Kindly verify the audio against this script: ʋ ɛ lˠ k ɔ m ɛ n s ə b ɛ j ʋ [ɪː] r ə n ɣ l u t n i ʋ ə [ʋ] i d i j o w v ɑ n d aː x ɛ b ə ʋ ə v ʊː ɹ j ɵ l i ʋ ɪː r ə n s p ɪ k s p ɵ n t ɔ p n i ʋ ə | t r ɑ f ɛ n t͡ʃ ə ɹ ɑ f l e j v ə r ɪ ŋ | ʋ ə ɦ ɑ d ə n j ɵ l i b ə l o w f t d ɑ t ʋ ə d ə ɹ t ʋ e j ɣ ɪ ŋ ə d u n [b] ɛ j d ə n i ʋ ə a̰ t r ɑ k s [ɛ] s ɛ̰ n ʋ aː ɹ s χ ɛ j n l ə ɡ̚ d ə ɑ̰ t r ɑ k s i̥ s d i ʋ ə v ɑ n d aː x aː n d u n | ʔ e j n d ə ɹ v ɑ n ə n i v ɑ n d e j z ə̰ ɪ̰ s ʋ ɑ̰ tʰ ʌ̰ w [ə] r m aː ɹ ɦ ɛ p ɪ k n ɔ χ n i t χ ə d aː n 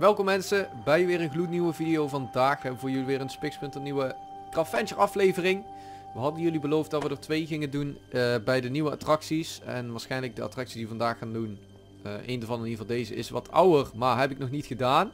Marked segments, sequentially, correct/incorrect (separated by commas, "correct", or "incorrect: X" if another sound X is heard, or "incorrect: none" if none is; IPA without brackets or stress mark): correct, incorrect: v, correct, incorrect: i, correct